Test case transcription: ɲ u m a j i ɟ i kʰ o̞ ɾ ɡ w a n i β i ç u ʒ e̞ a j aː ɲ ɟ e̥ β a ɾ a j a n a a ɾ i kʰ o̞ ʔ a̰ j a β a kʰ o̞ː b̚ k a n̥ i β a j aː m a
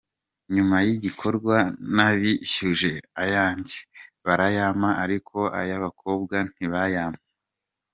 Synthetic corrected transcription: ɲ u m a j i ɟ i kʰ o̞ ɾ ɡ w a n a β i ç u ʒ e̞ a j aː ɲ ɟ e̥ β a ɾ a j a m a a ɾ i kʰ o̞ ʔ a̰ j a β a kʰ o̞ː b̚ ɡ a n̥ i β a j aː m a

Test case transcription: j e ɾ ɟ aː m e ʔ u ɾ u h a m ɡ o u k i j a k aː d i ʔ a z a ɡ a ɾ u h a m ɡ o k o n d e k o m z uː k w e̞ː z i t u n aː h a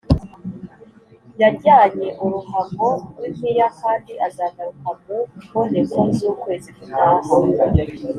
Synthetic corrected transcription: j a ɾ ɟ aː ɲ e ʔ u ɾ u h a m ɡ o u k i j a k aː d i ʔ a z a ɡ a ɾ u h a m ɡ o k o n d e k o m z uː k w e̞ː z i k u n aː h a

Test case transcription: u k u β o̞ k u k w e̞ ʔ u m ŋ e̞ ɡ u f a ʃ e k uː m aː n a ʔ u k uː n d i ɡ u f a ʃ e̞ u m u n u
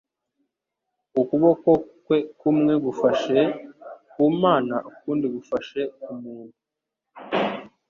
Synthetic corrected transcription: u k u β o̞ k o k w e̞ k u m ŋ e̞ ɡ u f a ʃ e k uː m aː n a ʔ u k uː n d i ɡ u f a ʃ e̞ u m uː n u

